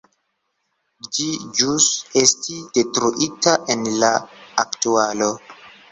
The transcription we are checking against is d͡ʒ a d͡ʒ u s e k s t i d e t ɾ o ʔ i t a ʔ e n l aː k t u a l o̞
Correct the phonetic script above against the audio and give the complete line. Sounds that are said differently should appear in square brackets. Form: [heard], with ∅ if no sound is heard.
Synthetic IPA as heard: d͡ʒ [i] d͡ʒ u s e [∅] s t i d e t ɾ [u] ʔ i t a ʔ e n l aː k t u a l o̞